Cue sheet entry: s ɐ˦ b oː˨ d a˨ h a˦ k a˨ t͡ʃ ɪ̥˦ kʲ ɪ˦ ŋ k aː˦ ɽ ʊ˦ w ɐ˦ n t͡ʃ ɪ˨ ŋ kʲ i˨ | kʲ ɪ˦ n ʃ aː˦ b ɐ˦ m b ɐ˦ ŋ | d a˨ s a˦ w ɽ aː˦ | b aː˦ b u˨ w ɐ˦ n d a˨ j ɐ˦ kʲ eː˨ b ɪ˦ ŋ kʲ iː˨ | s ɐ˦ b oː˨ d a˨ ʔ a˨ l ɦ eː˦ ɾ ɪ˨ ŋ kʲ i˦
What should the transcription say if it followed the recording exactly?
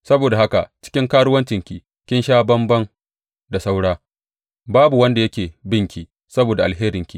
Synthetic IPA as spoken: s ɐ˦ b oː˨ d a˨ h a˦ k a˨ t͡ʃ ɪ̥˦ kʲ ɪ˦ ŋ k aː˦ ɽ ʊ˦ w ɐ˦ n t͡ʃ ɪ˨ ŋ kʲ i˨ | kʲ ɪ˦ n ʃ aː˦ b ɐ˦ m b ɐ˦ ŋ | d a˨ s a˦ w ɽ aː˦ | b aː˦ b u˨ w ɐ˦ n d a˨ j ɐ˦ kʲ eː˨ b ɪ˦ ŋ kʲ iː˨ | s ɐ˦ b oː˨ d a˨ ʔ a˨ l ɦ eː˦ ɾ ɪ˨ ŋ kʲ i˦